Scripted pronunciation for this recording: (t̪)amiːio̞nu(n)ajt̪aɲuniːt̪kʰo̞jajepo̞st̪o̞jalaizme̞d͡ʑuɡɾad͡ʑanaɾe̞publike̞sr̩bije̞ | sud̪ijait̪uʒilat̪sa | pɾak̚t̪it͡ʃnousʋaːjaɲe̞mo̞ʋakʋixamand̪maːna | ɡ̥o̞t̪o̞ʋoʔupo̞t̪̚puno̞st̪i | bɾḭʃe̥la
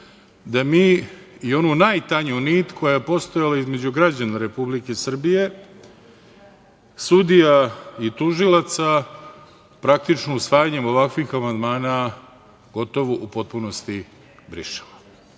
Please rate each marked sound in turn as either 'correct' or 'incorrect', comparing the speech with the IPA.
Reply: incorrect: d̪, correct

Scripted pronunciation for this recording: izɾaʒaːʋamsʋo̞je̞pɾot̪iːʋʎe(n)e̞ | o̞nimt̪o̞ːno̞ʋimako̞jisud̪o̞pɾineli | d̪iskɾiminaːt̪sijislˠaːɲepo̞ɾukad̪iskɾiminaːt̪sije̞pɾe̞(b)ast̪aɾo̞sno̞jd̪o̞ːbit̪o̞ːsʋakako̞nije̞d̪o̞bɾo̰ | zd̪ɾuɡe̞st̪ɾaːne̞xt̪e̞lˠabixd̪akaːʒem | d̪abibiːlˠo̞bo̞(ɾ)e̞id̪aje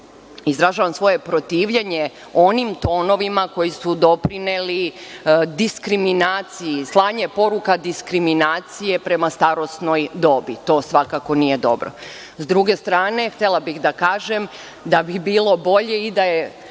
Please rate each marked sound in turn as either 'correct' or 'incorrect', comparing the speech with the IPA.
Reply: incorrect: ɲ, incorrect: m, incorrect: ʎ

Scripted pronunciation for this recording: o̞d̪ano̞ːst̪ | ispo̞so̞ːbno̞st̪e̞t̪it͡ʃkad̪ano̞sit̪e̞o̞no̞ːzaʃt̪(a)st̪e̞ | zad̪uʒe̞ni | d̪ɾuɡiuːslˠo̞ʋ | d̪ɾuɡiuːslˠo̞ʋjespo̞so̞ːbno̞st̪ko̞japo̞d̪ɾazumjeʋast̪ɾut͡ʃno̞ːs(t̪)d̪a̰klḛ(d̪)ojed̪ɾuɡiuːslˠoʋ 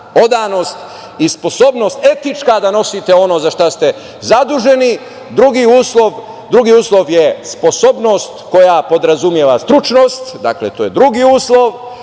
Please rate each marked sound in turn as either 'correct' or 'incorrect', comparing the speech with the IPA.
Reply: correct, correct, incorrect: t̪

